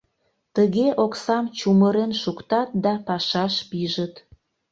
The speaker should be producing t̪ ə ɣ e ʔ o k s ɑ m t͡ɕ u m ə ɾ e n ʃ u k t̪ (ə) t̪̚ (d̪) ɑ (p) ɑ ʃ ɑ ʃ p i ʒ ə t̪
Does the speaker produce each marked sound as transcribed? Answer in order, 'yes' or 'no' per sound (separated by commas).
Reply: no, yes, yes